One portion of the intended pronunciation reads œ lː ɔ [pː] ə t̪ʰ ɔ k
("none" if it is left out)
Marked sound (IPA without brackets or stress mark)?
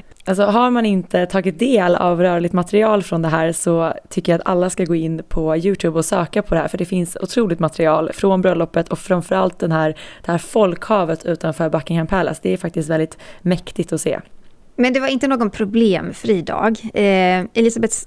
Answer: pː